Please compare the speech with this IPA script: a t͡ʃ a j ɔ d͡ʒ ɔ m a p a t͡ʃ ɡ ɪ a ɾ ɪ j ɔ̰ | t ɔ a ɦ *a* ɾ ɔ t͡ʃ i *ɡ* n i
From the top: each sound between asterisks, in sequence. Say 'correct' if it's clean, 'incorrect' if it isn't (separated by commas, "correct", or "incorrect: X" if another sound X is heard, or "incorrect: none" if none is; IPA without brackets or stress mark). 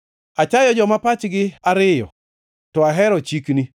incorrect: ɛ, incorrect: k